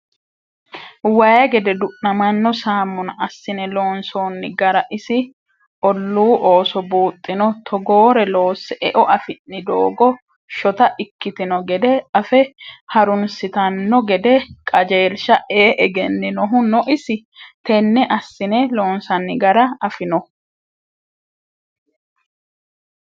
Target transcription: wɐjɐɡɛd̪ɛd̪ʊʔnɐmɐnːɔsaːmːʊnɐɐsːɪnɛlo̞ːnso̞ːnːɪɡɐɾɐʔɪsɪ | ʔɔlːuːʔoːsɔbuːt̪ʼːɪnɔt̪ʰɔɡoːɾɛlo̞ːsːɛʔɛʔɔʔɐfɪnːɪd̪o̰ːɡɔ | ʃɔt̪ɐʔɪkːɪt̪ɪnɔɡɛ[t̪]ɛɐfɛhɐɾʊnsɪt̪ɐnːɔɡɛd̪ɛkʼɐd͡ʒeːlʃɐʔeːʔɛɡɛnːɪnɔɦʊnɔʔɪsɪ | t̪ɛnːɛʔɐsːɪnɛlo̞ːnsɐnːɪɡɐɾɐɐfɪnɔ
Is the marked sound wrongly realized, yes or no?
yes